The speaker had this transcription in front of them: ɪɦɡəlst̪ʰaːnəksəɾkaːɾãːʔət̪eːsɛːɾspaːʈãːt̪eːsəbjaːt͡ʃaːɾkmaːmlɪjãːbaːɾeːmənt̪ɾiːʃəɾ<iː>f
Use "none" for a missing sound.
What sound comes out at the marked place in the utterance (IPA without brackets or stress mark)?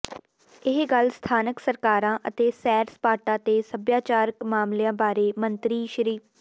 iː